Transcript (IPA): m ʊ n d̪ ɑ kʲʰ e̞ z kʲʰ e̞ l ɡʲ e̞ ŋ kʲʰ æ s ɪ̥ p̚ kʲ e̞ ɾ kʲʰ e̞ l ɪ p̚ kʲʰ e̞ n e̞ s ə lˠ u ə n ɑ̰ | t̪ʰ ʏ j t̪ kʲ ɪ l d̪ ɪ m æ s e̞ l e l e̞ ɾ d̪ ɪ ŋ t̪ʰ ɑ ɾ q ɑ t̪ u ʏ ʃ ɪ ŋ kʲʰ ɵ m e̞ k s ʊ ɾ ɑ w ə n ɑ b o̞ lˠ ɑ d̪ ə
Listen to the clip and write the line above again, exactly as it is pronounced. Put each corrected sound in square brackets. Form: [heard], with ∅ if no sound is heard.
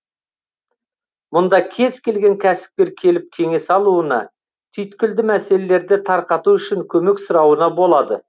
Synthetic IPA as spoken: m ʊ n d̪ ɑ kʲʰ e̞ z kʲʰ e̞ l ɡʲ e̞ ŋ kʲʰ æ s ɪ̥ p̚ kʲ e̞ ɾ kʲʰ e̞ l ɪ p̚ kʲʰ e̞ [ŋ] e̞ s [ɑ] lˠ u ə n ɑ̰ | t̪ʰ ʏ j t̪ kʲ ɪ l d̪ ɪ m æ s e̞ l e l e̞ ɾ d̪ ɪ [∅] t̪ʰ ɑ ɾ q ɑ t̪ u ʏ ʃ ɪ ŋ kʲʰ ɵ m e̞ k s ʊ ɾ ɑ w ə n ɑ b o̞ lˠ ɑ d̪ ə